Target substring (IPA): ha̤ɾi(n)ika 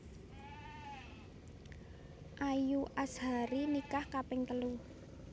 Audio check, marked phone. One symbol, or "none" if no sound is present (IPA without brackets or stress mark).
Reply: n